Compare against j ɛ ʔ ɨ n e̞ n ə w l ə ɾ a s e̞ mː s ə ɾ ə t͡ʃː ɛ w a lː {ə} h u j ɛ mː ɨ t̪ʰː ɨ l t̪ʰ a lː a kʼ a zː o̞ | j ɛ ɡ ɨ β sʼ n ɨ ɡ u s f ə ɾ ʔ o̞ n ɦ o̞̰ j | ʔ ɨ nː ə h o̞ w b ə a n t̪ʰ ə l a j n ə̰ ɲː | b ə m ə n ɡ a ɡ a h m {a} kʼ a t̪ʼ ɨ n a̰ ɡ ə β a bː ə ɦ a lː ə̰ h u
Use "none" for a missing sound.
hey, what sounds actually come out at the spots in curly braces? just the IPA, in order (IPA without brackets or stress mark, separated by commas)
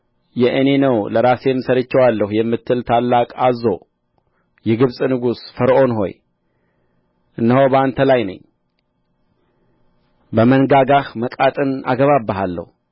ə, ə